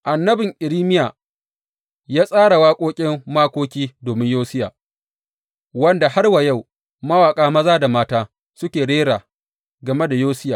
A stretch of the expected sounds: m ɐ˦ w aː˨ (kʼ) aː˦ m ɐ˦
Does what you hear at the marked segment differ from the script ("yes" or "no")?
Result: no